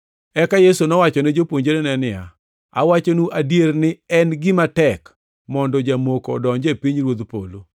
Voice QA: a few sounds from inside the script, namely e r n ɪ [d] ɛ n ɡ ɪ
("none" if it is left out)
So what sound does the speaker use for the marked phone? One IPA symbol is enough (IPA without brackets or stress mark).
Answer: none